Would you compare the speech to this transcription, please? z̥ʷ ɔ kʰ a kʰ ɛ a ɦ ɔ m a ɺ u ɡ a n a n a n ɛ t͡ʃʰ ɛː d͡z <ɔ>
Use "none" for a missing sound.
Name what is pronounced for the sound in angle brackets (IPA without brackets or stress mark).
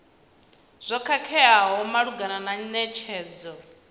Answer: ɔ